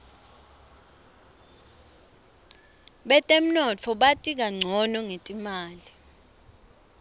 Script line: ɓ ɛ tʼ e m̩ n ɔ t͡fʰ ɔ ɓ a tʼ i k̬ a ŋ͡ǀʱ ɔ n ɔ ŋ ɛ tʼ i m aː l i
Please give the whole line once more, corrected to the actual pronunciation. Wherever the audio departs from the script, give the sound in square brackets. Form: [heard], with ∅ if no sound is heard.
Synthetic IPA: ɓ ɛ tʼ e m̩ n ɔ t͡fʰ ɔ ɓ a tʼ i k̬ a ŋ͡ǀʱ ɔ n ɔ ŋ [e] tʼ i m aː l i

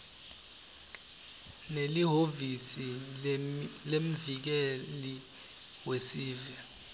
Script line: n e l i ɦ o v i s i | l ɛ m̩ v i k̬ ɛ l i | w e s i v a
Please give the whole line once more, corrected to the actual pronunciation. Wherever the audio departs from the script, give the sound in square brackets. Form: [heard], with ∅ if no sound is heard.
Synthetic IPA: n e l i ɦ o v i s i | l [e] m̩ v i k̬ ɛ l i | w e s [iː] v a

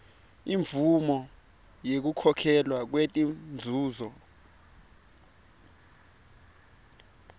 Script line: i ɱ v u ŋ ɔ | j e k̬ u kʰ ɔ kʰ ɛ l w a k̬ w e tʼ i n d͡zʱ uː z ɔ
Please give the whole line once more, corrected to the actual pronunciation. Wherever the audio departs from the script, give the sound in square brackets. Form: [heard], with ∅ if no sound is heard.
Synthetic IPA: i ɱ v u [m] ɔ | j e k̬ u kʰ ɔ kʰ ɛ l w a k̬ w e tʼ i n d͡zʱ uː z ɔ

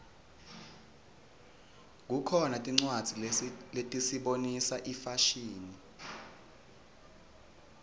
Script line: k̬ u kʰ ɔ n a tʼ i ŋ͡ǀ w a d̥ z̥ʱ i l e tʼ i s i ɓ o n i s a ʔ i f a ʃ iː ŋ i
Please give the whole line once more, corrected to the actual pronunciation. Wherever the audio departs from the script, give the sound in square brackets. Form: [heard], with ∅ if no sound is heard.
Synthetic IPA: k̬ u kʰ ɔ n a tʼ i ŋ͡ǀ w a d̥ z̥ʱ i l e tʼ i s i ɓ o n i s a ʔ i f a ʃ iː [n] i

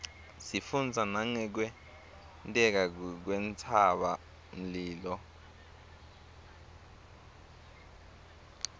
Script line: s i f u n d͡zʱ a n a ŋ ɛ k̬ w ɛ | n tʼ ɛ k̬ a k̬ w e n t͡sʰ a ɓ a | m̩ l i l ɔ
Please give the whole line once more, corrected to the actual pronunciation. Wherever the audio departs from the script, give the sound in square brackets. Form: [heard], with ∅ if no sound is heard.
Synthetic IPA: s i f u n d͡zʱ a n a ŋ ɛ k̬ w ɛ | n tʼ ɛ k̬ a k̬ w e n t͡sʰ a ɓ a | m̩ l [iː] l ɔ

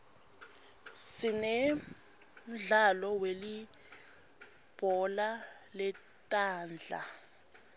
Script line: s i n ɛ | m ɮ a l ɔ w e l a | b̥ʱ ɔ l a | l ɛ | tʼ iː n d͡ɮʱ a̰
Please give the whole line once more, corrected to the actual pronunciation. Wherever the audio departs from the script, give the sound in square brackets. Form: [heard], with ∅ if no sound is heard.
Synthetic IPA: s i n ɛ | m ɮ a l ɔ w e l [i] | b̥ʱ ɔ l a | l ɛ | tʼ [aː] n d͡ɮʱ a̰

